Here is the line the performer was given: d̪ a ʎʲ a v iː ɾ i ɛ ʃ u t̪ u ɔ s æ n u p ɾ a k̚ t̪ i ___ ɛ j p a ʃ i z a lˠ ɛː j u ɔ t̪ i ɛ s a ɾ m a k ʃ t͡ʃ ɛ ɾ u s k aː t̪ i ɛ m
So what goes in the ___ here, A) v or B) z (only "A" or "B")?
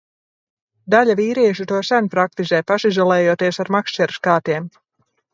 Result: B